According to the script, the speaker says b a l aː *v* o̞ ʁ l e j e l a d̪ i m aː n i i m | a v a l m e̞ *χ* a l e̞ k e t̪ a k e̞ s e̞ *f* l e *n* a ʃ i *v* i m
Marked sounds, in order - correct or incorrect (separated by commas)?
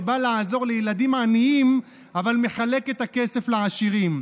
incorrect, correct, correct, incorrect, incorrect